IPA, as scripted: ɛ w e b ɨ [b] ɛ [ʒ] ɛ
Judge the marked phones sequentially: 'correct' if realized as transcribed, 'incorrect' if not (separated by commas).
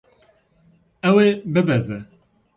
correct, incorrect